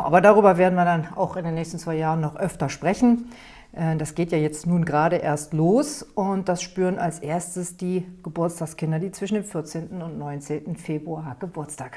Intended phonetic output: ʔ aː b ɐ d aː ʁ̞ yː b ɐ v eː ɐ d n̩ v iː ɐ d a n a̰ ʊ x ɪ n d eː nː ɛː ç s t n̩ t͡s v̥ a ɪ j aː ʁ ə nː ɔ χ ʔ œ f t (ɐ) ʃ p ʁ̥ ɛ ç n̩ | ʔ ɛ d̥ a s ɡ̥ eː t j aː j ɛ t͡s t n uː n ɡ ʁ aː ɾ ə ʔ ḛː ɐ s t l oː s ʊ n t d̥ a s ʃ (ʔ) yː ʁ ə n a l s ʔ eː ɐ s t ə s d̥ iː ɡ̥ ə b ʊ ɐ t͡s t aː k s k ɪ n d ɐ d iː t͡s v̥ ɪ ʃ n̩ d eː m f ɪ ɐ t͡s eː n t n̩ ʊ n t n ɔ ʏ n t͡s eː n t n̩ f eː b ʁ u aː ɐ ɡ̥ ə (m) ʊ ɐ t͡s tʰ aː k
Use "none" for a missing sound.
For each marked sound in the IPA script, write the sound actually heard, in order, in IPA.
ɐ, p, b

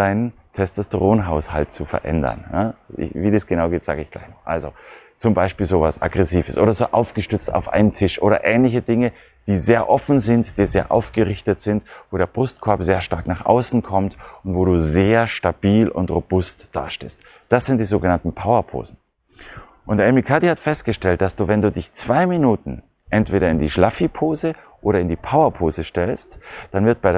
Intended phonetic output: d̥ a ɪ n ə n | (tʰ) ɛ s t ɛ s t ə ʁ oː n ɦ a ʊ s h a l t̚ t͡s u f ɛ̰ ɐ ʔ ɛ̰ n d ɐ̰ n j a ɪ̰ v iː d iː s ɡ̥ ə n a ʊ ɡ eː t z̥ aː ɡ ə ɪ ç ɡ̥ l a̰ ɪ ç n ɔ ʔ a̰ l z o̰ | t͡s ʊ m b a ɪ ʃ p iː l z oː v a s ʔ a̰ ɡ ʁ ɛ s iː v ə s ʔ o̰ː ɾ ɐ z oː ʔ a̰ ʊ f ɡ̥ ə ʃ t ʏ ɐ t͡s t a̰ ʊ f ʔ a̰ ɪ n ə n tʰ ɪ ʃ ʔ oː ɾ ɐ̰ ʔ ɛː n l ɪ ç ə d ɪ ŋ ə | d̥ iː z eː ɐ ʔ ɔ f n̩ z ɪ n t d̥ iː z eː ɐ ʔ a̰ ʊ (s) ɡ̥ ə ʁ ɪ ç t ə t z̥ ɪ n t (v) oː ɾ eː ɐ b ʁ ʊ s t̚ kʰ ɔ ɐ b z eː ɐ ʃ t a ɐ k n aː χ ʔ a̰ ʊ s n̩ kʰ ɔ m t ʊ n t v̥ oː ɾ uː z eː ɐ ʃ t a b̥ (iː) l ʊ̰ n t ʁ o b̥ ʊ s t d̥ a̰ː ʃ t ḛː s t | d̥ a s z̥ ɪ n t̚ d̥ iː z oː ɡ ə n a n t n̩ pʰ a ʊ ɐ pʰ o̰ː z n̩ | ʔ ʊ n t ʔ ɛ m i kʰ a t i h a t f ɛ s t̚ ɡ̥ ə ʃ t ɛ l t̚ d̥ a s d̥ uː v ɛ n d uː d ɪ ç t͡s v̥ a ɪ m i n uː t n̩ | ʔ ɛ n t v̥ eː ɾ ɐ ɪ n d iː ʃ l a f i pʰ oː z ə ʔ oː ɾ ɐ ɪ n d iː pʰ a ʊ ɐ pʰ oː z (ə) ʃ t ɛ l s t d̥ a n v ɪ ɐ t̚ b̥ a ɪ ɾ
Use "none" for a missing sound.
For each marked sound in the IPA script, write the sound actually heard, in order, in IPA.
tʰ, f, v, iː, ə

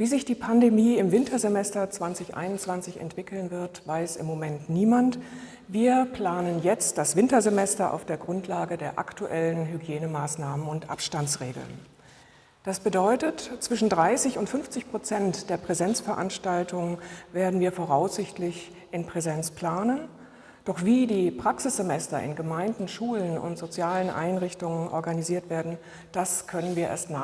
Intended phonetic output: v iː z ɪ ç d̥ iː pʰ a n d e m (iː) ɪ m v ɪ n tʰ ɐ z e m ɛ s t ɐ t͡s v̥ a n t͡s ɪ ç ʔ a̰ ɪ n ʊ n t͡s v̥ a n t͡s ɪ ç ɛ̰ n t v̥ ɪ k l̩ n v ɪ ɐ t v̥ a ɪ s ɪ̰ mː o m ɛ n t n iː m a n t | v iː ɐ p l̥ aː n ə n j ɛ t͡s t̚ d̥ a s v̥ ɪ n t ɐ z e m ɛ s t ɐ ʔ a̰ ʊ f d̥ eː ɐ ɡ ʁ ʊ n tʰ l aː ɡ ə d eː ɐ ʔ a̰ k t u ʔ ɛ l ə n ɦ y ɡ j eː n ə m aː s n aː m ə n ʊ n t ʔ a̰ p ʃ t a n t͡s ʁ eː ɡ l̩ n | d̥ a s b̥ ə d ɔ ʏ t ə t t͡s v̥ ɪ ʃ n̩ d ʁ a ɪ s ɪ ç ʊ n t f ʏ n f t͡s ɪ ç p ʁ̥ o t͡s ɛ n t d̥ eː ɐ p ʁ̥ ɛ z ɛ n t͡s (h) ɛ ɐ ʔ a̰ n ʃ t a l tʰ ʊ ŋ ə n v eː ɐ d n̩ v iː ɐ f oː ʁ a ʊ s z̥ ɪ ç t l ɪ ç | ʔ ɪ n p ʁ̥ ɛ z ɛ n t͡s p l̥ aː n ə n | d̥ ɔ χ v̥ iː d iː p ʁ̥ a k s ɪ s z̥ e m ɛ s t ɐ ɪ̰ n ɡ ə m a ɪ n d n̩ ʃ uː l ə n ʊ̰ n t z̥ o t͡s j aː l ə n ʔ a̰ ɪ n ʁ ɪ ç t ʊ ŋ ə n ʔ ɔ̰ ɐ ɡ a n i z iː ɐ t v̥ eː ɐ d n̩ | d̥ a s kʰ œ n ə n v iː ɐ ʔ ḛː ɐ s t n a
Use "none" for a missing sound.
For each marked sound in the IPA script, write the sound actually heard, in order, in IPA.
iː, f

